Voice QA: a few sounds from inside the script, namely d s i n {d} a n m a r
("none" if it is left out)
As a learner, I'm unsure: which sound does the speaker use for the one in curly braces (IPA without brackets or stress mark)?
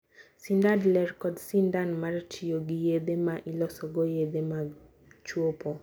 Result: d